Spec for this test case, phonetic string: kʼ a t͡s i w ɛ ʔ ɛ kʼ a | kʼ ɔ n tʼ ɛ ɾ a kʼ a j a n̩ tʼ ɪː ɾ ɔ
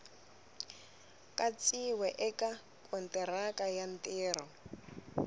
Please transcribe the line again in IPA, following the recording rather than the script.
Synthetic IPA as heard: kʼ a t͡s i w ɛ ʔ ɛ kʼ a | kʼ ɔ n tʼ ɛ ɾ a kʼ a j a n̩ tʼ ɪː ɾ ɔ